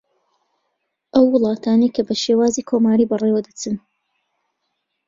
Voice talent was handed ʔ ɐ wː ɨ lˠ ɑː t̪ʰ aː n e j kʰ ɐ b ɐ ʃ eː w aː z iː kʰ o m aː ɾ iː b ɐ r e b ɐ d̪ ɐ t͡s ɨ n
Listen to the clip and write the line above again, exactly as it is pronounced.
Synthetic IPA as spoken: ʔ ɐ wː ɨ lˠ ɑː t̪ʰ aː n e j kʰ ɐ b ɐ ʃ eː w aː z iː kʰ o m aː ɾ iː b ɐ r e w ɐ d̪ ɐ t͡s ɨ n